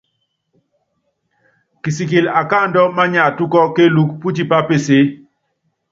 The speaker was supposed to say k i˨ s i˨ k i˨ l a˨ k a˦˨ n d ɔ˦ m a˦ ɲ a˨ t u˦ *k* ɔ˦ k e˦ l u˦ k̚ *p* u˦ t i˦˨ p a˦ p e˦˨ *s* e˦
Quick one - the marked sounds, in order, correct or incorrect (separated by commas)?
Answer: correct, correct, correct